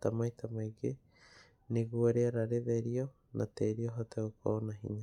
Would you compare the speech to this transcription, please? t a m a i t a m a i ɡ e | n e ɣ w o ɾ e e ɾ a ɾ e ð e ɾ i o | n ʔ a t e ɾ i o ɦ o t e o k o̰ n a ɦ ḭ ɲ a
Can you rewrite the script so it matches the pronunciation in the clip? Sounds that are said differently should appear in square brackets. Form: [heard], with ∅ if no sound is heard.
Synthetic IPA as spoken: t a m a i t a m a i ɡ e | n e ɣ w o ɾ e [a] ɾ a ɾ e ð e ɾ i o | n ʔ a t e ɾ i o ɦ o t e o k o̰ n a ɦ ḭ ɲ a